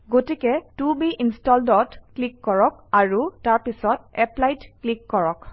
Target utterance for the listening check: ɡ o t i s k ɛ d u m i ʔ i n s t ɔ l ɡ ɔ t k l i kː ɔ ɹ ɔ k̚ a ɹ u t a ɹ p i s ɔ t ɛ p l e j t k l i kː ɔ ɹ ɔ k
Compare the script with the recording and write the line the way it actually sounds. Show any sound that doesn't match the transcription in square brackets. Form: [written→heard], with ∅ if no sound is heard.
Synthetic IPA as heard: ɡ o t i [s→∅] k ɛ [d→t] u [m→b] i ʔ i n s t ɔ l [ɡ→d] ɔ t k l i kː ɔ ɹ ɔ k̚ a ɹ u t a ɹ p i s ɔ t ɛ p l [e→a] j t k l i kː ɔ ɹ ɔ k